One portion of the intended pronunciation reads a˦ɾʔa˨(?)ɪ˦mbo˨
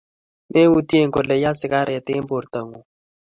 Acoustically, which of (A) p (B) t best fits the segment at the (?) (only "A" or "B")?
B